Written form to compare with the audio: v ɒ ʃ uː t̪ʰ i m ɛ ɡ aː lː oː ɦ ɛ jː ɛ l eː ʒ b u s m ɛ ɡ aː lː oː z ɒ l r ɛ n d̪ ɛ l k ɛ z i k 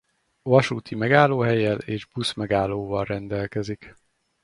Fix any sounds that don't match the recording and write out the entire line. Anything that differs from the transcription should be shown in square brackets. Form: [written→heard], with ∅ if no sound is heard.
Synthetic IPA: v ɒ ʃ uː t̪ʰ i m ɛ ɡ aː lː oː ɦ ɛ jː ɛ l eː ʒ b u s m ɛ ɡ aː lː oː [z→v] ɒ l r ɛ n d̪ ɛ l k ɛ z i k